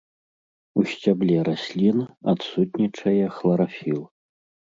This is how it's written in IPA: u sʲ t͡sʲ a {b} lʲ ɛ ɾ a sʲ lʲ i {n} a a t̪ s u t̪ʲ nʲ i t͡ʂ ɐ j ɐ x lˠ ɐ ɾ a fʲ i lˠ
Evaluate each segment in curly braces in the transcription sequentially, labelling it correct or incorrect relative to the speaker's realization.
correct, correct

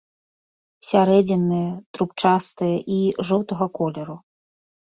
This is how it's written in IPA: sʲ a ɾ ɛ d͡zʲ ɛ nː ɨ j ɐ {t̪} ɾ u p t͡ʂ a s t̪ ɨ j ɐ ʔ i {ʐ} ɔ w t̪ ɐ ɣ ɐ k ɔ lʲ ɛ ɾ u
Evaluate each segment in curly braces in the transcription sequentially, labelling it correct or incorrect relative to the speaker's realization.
correct, correct

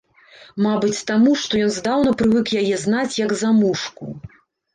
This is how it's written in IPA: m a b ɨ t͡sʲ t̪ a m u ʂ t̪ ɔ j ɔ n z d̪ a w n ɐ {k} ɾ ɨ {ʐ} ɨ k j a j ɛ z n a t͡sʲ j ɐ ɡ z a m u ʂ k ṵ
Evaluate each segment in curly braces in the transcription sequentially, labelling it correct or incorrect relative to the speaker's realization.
incorrect, incorrect

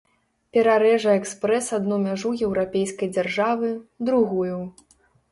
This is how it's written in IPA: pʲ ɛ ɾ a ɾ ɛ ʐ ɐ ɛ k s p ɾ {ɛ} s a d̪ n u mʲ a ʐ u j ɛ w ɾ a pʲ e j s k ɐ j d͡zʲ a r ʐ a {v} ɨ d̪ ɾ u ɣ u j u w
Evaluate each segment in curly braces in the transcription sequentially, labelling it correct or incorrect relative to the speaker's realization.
correct, correct

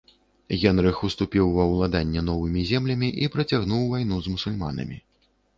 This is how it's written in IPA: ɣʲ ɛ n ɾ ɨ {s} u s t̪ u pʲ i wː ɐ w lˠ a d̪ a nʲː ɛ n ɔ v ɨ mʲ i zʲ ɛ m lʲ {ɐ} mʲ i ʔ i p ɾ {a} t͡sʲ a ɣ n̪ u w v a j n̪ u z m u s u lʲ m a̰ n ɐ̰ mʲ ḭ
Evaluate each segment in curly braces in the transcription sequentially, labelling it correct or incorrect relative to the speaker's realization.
incorrect, correct, incorrect

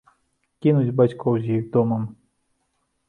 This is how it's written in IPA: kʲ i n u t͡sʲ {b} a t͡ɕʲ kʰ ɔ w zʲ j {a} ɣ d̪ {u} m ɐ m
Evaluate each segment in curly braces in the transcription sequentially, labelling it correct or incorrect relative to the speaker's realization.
correct, incorrect, incorrect

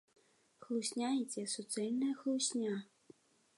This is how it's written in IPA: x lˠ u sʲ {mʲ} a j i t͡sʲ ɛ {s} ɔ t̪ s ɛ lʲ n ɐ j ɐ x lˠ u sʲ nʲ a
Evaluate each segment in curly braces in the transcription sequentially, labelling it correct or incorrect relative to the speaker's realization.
incorrect, correct

